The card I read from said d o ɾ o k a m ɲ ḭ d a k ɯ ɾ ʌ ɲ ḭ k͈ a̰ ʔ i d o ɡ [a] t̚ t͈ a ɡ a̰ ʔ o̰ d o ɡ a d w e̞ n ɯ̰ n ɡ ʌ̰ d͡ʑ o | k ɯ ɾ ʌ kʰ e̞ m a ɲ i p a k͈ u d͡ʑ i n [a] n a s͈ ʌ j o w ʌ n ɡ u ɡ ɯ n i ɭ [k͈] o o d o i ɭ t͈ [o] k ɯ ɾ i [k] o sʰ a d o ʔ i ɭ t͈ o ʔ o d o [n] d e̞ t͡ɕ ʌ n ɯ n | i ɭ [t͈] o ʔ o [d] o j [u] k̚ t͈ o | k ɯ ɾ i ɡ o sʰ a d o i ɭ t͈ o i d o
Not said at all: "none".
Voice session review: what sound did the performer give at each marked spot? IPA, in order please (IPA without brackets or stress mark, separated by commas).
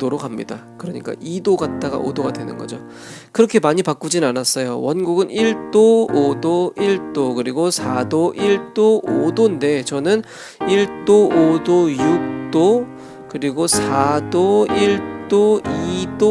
a, a, t͈, o, ɡ, n, t͈, d, u